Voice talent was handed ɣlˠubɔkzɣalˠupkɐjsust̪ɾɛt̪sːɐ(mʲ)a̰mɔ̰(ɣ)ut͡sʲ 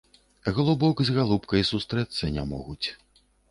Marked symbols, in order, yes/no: no, yes

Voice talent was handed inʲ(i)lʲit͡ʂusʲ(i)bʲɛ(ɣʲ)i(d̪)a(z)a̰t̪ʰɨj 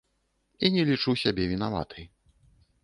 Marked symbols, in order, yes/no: no, no, no, no, no

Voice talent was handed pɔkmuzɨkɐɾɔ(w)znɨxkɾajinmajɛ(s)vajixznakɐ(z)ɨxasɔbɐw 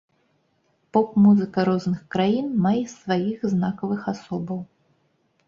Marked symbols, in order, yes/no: no, yes, no

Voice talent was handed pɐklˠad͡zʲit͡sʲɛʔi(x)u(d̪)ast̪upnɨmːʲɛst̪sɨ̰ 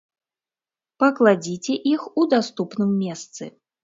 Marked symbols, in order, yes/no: yes, yes

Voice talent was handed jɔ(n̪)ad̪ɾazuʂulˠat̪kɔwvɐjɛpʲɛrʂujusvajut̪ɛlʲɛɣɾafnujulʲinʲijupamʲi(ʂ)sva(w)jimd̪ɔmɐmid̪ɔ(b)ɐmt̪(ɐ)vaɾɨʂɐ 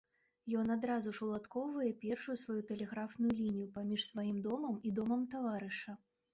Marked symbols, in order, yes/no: yes, yes, no, no, no

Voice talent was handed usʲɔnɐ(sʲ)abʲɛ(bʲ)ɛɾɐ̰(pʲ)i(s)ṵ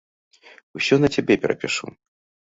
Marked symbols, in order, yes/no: no, no, yes, no

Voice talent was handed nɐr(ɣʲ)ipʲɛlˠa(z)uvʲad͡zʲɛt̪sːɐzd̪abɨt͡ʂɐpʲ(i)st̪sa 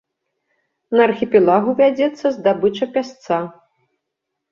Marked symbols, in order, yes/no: no, no, no

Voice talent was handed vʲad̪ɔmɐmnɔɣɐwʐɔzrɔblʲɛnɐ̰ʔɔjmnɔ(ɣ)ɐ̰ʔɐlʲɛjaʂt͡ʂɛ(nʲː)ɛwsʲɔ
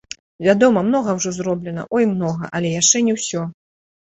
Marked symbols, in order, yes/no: yes, no

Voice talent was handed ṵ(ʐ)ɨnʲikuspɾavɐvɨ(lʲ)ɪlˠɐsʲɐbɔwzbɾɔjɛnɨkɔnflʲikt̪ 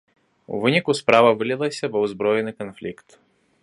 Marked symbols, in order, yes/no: no, yes

